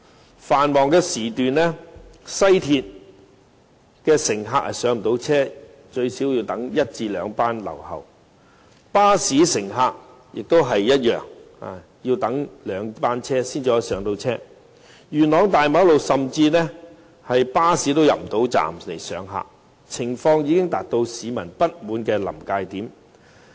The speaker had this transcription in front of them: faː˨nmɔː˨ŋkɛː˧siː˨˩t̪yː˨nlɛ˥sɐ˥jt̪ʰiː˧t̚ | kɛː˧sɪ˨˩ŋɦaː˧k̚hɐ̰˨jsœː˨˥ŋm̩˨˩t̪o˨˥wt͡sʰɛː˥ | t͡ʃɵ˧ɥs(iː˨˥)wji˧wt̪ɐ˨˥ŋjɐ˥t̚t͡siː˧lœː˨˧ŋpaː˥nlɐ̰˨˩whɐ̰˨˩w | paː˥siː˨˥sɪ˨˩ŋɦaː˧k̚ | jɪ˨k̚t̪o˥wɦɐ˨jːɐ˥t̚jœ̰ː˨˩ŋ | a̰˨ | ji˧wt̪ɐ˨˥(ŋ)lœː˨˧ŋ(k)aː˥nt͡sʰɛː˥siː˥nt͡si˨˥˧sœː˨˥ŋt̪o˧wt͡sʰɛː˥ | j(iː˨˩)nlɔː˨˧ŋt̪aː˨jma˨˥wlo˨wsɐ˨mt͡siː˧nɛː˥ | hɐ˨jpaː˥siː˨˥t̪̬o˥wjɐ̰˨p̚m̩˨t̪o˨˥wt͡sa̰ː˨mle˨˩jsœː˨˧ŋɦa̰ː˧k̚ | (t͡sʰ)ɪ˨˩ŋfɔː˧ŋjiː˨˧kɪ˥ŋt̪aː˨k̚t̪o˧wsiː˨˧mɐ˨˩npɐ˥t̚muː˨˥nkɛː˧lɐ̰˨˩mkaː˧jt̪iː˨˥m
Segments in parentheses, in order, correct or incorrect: correct, correct, incorrect: p, incorrect: yː˨˩, correct

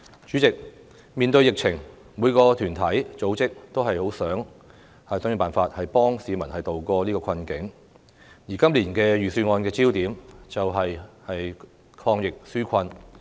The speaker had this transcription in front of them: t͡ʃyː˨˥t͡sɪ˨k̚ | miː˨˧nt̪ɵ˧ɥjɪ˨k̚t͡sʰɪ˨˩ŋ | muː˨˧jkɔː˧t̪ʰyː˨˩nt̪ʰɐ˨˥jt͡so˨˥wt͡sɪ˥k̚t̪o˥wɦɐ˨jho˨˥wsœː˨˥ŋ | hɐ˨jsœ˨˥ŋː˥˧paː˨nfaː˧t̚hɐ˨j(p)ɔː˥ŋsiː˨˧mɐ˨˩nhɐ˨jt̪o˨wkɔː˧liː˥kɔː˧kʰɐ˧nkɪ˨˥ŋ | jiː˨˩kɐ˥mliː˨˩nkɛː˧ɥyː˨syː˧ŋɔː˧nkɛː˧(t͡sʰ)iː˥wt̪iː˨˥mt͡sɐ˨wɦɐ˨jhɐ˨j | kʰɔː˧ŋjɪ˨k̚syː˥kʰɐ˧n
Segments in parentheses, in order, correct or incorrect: correct, incorrect: t͡s

